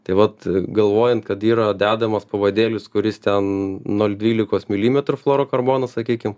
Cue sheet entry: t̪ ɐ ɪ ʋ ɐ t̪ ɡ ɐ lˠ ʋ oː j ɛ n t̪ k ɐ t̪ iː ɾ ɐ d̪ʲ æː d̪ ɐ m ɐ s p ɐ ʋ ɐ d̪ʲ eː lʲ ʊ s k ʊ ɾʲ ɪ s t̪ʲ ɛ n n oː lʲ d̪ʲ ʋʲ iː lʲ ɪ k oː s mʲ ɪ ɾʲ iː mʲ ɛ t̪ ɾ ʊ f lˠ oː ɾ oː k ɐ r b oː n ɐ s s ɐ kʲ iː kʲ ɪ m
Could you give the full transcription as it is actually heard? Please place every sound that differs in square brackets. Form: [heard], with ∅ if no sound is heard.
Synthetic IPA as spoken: t̪ ɐ ɪ ʋ ɐ t̪ ɡ ɐ lˠ ʋ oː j ɛ n t̪ k ɐ t̪ iː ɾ ɐ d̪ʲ æː d̪ ɐ m ɐ s p ɐ ʋ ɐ d̪ʲ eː lʲ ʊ s k ʊ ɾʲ ɪ s t̪ʲ ɛ n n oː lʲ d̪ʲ ʋʲ iː lʲ ɪ k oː s mʲ ɪ [lʲ] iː mʲ ɛ t̪ ɾ ʊ f lˠ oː ɾ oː k ɐ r b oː n ɐ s s ɐ kʲ iː kʲ ɪ m